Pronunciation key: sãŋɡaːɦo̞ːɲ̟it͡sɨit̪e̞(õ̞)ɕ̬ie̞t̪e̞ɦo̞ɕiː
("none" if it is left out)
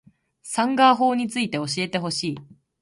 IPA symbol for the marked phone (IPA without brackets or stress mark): o̞